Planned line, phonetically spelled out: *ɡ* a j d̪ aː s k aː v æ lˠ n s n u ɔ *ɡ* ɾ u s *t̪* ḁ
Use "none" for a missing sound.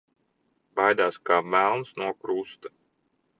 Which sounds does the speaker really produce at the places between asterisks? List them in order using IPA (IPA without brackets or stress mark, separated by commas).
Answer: b, k, t̪